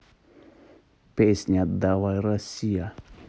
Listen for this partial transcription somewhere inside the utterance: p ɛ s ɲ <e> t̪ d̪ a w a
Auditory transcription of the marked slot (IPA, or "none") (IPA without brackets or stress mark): a